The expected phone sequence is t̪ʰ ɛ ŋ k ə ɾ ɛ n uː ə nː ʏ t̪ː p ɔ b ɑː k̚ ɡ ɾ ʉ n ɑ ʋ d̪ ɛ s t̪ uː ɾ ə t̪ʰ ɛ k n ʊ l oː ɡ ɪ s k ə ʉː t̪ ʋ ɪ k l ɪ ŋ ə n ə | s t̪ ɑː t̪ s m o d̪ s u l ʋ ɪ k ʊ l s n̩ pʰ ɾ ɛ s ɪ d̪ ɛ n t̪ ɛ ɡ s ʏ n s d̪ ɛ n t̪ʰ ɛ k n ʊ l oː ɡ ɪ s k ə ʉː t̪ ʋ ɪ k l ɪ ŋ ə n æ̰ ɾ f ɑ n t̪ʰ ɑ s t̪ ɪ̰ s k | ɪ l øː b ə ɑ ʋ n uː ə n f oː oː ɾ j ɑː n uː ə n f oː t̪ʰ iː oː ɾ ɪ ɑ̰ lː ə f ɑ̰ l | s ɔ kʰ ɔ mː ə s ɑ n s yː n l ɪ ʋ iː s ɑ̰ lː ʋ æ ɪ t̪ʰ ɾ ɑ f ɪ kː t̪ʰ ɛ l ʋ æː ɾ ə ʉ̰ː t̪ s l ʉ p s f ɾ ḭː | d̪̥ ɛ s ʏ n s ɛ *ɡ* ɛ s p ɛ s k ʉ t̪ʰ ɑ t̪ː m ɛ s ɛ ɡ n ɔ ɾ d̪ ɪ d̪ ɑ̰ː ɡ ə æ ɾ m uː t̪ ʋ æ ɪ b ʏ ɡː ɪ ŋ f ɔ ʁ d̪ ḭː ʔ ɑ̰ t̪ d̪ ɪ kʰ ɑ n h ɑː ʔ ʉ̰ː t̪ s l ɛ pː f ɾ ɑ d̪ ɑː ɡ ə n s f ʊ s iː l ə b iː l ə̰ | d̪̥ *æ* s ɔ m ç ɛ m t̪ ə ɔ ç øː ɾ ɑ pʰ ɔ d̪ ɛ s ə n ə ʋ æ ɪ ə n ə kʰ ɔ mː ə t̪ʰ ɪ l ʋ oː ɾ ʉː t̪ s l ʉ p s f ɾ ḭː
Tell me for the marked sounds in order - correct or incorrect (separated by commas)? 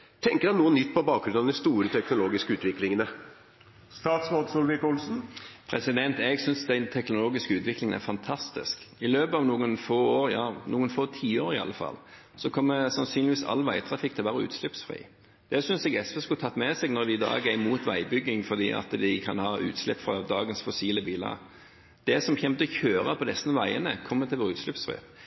correct, incorrect